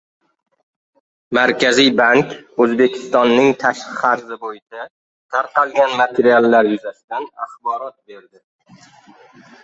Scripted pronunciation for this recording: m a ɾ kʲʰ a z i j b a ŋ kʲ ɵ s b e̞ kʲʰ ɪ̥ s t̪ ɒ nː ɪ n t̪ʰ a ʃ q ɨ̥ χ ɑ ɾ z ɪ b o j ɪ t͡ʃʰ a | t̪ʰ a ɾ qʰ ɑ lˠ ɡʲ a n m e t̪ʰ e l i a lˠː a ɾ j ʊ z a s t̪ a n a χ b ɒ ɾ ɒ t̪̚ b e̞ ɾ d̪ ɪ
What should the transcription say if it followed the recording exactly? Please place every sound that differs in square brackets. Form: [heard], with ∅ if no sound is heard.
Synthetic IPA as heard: m a ɾ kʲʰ a z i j b a ŋ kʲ ɵ [z] b e̞ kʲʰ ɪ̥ s t̪ ɒ nː ɪ [ŋ] t̪ʰ a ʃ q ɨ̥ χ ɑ ɾ z ɪ b o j ɪ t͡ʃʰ a | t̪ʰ a ɾ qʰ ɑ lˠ ɡʲ a n m [a] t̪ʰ e [ɾ] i a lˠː a ɾ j ʊ z a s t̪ a n a χ b ɒ ɾ ɒ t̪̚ b e̞ ɾ d̪ ɪ